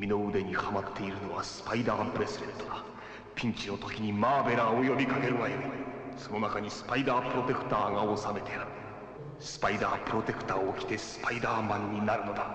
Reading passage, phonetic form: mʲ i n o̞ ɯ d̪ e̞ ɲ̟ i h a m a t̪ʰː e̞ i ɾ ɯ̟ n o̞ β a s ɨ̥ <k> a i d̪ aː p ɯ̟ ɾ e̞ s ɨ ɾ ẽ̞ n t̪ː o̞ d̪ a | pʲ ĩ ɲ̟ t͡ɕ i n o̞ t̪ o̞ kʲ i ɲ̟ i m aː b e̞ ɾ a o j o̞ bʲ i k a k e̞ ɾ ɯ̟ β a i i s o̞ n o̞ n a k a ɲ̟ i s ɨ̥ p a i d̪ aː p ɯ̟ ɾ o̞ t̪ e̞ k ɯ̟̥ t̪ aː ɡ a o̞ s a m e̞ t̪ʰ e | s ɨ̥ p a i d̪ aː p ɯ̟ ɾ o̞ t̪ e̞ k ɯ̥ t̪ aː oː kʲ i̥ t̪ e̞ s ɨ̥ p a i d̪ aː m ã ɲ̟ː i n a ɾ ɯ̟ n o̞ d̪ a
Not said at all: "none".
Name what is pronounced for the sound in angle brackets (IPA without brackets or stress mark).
p